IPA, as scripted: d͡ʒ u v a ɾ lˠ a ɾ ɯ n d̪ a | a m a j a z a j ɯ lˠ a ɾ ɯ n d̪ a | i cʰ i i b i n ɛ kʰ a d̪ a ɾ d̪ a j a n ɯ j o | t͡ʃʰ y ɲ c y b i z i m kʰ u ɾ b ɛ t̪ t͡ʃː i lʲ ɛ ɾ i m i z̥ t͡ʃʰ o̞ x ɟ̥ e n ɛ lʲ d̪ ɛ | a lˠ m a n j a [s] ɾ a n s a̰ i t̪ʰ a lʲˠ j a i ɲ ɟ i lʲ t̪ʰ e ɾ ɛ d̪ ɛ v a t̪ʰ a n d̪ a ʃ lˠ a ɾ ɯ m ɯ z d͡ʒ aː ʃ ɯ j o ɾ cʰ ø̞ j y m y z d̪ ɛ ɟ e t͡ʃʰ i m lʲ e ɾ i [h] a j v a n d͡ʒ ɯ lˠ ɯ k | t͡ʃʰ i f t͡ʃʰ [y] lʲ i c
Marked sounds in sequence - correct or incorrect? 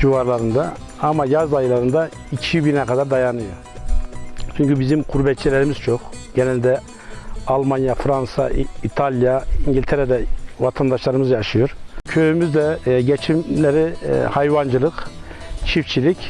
incorrect, correct, incorrect

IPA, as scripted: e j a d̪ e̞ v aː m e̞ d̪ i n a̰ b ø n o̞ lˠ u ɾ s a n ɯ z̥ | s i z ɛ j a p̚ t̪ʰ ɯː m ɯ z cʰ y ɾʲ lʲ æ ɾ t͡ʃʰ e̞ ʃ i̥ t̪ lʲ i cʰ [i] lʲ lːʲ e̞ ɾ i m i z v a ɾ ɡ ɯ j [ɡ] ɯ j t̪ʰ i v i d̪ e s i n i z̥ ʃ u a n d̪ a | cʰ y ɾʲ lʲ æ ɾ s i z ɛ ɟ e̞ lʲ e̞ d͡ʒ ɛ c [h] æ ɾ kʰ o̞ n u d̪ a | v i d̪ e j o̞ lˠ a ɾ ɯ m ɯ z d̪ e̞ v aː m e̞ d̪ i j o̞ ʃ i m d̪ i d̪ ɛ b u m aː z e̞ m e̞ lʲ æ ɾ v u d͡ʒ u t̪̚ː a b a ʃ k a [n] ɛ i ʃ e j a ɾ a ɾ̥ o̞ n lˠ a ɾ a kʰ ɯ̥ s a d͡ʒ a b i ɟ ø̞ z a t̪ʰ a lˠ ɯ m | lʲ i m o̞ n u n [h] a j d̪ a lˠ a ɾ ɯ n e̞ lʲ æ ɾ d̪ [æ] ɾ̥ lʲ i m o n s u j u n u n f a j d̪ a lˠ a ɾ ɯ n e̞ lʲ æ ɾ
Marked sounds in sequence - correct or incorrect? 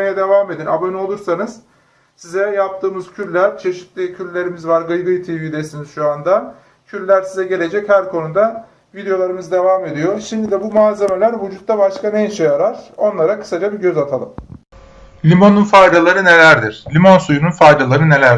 incorrect, correct, correct, correct, incorrect, incorrect

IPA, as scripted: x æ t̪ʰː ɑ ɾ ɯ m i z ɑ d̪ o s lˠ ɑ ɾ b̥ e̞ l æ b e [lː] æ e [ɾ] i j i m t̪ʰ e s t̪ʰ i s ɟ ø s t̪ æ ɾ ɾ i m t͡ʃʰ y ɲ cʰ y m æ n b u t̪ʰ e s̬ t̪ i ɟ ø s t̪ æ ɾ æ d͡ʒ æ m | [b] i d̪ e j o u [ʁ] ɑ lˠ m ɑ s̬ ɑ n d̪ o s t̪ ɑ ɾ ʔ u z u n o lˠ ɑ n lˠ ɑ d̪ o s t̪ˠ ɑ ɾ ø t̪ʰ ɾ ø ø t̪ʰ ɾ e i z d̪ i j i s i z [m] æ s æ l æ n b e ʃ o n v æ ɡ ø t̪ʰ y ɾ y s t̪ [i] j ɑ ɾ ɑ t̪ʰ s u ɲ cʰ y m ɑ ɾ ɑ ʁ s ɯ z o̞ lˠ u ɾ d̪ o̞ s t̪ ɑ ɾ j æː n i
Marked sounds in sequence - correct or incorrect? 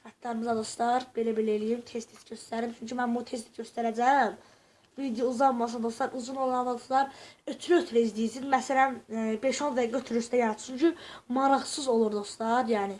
incorrect, incorrect, incorrect, incorrect, correct, incorrect

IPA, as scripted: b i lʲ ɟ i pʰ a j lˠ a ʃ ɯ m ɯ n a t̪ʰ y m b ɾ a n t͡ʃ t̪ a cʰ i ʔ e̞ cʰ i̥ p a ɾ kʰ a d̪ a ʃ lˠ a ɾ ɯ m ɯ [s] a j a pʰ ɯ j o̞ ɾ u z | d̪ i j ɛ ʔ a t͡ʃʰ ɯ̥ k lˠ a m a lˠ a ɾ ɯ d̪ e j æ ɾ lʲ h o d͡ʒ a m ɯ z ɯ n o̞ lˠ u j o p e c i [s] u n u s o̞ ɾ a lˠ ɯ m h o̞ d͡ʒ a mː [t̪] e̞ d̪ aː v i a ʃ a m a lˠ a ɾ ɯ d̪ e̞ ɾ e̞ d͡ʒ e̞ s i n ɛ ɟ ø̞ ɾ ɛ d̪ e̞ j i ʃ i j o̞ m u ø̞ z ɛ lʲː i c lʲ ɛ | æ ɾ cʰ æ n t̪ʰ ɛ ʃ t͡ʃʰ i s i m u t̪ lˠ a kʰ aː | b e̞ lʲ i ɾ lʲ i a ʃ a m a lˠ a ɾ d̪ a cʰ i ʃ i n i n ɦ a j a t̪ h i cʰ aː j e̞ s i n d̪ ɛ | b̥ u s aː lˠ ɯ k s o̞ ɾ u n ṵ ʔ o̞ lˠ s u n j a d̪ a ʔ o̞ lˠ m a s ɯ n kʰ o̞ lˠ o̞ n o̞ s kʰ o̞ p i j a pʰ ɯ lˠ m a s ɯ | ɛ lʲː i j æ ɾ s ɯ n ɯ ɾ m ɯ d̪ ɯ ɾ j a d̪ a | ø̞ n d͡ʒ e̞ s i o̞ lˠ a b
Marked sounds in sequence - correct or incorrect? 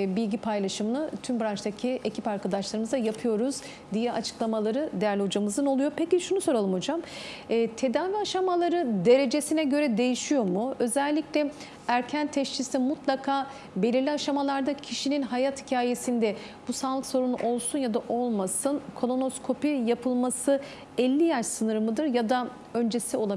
incorrect, incorrect, incorrect

